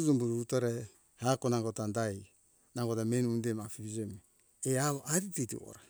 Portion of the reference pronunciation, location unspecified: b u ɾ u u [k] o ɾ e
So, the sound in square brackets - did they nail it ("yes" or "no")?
no